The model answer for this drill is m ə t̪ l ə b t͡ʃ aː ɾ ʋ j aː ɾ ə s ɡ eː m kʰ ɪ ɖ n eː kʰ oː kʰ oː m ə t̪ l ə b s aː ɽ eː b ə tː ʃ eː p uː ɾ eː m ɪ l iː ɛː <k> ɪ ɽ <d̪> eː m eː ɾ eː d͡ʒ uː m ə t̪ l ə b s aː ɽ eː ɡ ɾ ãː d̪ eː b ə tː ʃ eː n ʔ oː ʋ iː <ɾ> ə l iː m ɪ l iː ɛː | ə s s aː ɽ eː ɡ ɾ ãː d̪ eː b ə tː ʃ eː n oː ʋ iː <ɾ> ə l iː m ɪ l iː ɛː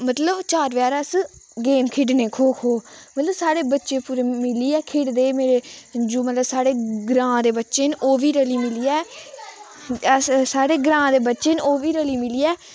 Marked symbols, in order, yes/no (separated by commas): no, yes, yes, yes